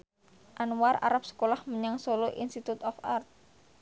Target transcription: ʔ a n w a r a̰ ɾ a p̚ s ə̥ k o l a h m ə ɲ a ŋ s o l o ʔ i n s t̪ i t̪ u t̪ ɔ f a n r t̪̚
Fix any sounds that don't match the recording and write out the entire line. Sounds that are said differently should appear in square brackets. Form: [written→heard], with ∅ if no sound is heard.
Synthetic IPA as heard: ʔ a n w a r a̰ ɾ a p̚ s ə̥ k o l a h m ə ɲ a ŋ s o l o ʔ i n s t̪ i t̪ u t̪ ɔ f a [n→∅] r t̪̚